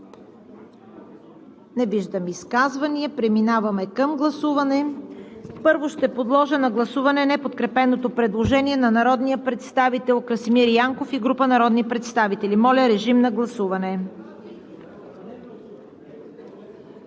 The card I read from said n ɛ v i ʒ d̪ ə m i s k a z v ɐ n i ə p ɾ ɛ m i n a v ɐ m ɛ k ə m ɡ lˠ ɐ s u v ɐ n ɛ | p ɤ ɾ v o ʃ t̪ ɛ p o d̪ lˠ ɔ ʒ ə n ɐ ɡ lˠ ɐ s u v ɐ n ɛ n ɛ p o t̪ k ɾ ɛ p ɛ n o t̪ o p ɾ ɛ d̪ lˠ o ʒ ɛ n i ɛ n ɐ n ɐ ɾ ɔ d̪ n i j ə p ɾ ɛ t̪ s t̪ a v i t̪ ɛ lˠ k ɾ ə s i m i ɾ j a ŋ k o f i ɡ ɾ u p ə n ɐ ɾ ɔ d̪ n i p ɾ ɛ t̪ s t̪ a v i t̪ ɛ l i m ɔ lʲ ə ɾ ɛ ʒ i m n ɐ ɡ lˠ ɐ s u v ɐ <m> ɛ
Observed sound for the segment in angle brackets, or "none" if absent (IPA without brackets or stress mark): n